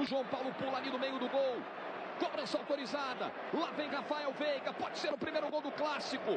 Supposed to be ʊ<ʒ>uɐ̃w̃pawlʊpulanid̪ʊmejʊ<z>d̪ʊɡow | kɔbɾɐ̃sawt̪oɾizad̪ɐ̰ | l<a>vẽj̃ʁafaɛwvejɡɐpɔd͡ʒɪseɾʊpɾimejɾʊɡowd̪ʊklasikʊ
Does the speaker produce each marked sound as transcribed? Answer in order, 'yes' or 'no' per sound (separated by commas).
yes, no, yes